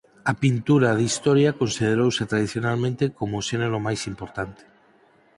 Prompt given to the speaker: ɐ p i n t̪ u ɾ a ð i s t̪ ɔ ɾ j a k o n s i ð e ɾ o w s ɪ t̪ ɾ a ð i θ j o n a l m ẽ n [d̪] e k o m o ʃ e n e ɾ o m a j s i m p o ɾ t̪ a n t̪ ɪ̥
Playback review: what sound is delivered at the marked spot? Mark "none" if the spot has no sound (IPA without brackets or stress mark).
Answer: t̪